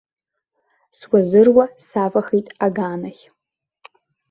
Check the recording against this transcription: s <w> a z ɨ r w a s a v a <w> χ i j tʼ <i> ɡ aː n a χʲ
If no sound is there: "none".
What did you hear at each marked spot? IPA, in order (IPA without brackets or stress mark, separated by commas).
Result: w, none, a